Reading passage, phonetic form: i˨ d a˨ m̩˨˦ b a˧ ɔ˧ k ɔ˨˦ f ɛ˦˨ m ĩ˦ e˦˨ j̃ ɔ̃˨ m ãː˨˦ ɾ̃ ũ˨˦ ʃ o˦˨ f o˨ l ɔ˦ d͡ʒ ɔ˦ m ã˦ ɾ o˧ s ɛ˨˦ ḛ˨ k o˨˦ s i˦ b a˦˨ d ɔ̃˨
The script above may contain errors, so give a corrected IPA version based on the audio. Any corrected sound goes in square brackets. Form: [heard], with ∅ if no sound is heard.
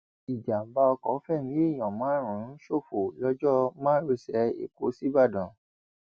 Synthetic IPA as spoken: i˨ [d͡ʒ] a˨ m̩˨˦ b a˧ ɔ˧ k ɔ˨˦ f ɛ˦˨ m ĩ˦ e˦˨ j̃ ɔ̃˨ m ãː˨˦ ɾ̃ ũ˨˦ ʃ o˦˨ f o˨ l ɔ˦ d͡ʒ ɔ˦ m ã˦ ɾ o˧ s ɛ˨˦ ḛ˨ k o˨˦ s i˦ b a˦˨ d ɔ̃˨